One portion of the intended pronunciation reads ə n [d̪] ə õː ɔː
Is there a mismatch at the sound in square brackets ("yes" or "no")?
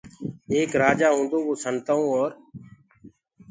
yes